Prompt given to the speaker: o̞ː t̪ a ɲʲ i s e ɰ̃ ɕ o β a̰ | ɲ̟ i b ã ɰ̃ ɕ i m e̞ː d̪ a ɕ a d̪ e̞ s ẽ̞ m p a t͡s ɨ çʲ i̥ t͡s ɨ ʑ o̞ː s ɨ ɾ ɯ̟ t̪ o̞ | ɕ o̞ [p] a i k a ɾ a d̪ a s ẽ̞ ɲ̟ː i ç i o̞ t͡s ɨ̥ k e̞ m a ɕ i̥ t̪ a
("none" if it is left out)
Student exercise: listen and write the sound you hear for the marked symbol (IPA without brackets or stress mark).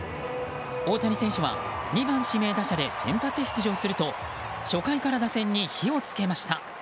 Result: k